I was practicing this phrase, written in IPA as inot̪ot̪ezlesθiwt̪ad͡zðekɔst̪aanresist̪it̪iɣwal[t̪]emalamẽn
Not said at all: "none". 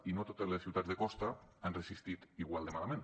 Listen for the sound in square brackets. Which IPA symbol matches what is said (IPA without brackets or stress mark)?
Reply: d̪